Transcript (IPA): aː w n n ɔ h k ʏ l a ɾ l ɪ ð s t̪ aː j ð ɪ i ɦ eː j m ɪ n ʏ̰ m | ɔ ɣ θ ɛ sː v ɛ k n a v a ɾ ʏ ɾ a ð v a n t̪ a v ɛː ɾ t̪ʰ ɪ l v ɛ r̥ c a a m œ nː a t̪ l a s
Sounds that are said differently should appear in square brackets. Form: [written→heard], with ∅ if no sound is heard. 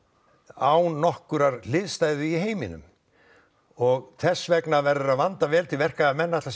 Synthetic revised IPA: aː w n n ɔ h k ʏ [l→ɾ] a ɾ l ɪ ð s t̪ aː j ð ɪ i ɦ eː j m ɪ n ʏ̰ m | ɔ ɣ θ ɛ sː v ɛ k n a v [a→ɛ] ɾ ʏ ɾ a ð v a n t̪ a v ɛː [ɾ→l] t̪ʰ ɪ l v ɛ r̥ [c→k] a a m [œ→ɛ] nː a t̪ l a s